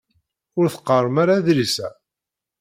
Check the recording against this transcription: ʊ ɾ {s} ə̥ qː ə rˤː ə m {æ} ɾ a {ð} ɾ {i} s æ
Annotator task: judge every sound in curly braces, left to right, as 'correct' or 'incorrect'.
incorrect: θ, incorrect: a, correct, correct

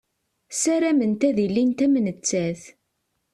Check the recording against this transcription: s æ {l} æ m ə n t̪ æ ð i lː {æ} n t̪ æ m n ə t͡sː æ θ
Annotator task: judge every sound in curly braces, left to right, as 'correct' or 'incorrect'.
incorrect: ɾ, incorrect: i

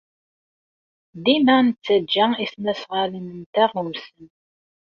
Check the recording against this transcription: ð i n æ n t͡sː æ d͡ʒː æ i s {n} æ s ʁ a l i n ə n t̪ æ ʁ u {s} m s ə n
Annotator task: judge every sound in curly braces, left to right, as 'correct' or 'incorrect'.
correct, incorrect: none

